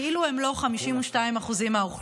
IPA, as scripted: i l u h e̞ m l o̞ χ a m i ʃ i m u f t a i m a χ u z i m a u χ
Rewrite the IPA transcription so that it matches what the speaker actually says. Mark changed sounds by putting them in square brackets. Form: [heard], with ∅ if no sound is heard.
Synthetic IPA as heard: i l u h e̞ m l o̞ χ a m i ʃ i m u [ʃ] t a i m a χ u z i m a u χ